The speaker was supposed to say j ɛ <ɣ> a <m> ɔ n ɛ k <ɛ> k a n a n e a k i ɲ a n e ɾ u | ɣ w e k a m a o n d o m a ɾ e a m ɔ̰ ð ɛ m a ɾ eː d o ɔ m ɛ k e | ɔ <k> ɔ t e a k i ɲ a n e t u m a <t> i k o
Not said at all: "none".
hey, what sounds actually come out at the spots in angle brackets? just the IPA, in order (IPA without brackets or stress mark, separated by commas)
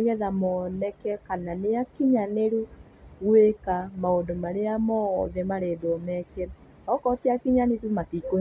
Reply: ð, m, ɛ, k, t